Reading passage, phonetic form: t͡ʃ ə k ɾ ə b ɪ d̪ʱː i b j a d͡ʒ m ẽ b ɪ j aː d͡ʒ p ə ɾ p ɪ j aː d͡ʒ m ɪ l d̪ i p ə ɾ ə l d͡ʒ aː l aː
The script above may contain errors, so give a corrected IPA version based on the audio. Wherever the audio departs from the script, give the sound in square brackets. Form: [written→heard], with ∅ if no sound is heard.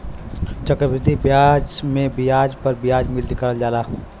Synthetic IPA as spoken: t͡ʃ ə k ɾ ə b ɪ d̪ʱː i b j a d͡ʒ m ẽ b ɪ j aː d͡ʒ p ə ɾ [p→b] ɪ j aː d͡ʒ m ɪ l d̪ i [p→k] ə ɾ ə l d͡ʒ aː l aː